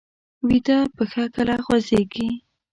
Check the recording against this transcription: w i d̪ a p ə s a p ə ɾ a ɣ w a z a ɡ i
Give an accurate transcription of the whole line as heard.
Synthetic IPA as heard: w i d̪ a p ə x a k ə l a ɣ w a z e ɡ i